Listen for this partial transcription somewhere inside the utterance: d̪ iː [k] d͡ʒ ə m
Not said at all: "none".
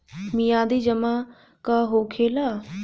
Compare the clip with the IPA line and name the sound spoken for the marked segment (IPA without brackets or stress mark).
none